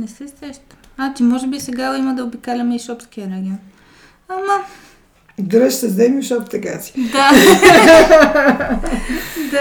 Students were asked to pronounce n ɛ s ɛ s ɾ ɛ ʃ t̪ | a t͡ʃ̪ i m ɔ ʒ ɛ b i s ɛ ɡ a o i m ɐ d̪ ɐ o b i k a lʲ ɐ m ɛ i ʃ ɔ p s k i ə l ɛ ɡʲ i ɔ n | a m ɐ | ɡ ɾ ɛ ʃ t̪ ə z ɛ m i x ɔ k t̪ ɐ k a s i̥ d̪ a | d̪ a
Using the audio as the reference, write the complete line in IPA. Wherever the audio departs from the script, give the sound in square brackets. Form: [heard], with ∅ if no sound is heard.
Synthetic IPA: n ɛ s ɛ s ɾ ɛ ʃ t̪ | a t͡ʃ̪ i m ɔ ʒ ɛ b i s ɛ ɡ a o i m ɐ d̪ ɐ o b i k a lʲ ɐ m ɛ i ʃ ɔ p s k i ə [ɾ] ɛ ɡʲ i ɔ n | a m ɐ | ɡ ɾ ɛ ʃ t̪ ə z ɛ m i [ʃ] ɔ [p] t̪ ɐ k a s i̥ d̪ a | d̪ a